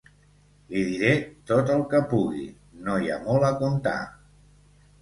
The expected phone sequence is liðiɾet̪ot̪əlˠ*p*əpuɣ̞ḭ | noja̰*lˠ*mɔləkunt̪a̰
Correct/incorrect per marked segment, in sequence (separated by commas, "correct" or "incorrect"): incorrect, incorrect